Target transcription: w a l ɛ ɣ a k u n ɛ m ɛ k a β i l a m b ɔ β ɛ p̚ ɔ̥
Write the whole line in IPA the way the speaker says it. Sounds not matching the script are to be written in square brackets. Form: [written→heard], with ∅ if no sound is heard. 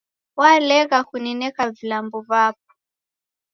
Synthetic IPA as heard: w a l ɛ ɣ a k u n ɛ [m→n] ɛ k a [β→v] i l a m b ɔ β [ɛ→a] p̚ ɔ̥